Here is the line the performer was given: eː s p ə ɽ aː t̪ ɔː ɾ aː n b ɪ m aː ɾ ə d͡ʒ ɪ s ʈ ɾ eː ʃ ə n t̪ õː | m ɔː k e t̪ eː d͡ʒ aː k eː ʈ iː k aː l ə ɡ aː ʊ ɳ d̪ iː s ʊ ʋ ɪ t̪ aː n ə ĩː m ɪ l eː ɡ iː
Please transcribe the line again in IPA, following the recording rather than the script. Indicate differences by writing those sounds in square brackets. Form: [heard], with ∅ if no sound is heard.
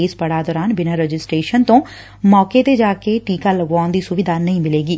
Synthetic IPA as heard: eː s p ə ɽ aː [d̪] ɔː ɾ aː n b ɪ [n] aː ɾ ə d͡ʒ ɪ s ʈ ɾ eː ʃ ə n t̪ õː | m ɔː k e t̪ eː d͡ʒ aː k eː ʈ iː k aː l ə ɡ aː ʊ [n] d̪ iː s ʊ ʋ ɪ [d̪] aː n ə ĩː m ɪ l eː ɡ iː